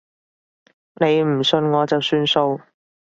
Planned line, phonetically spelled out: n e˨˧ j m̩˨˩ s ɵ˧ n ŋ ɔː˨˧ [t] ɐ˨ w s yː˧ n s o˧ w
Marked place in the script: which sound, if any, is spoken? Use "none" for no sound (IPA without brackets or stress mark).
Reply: t͡s